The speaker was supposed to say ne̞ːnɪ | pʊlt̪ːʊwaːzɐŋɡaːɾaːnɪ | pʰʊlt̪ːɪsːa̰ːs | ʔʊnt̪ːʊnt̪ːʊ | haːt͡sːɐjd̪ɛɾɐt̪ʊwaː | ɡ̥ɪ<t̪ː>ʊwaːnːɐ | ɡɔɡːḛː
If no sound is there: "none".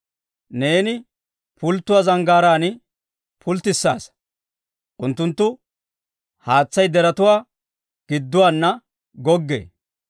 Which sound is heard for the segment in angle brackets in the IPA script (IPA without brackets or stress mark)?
d̪ː